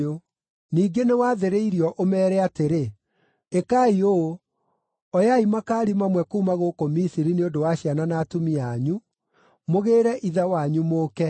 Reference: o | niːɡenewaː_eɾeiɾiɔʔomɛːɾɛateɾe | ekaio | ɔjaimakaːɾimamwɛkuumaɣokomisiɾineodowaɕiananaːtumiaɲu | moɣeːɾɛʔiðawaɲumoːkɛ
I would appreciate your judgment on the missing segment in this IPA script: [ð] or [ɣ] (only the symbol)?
ð